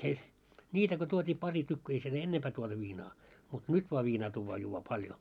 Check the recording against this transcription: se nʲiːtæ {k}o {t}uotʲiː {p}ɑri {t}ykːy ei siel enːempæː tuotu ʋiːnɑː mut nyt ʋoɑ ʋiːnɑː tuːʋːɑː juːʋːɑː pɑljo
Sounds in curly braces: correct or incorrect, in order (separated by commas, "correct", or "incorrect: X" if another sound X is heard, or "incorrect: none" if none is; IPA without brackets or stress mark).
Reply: correct, correct, correct, correct